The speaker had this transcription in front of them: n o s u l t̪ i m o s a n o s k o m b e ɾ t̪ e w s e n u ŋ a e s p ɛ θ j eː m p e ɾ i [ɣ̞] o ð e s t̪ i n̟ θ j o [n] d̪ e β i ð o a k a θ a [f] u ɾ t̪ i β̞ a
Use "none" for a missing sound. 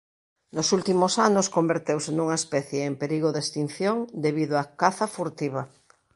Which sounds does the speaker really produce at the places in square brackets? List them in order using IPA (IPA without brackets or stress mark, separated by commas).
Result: ɣ̞, ŋ, f